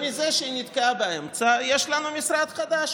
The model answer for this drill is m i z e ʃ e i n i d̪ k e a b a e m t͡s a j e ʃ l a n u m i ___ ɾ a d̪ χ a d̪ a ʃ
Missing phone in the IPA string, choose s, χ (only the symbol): s